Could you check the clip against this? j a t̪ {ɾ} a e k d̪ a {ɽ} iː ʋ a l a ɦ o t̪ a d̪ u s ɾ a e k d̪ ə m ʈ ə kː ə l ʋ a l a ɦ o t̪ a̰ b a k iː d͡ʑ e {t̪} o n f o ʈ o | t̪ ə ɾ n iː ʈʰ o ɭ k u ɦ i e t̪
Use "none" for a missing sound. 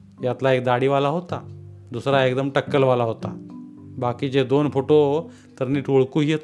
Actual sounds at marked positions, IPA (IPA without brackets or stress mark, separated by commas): l, ɽ, d̪